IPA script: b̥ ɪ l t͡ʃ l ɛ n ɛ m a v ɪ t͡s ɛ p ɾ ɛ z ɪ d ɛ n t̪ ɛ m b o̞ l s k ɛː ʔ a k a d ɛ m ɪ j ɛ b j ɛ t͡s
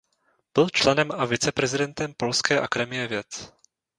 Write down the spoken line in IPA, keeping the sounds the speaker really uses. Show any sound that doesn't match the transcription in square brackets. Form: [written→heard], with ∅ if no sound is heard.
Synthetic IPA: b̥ ɪ l t͡ʃ l ɛ n ɛ m a v ɪ t͡s ɛ p ɾ ɛ z ɪ d ɛ n t̪ ɛ m [b→p] o̞ l s k ɛː ʔ a k a d ɛ m ɪ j ɛ [b→v] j ɛ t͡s